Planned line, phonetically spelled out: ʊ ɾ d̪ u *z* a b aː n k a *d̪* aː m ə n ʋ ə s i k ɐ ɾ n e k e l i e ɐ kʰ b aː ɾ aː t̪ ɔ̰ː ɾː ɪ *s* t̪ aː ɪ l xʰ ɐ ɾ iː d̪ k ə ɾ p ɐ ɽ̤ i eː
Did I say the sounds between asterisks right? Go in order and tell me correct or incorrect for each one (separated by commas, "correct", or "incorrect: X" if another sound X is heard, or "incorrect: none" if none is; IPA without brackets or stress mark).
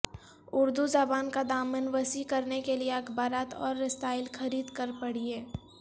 correct, correct, correct